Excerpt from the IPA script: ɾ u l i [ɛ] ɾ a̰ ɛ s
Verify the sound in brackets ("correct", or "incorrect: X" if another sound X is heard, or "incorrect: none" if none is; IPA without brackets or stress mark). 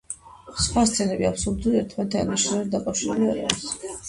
incorrect: a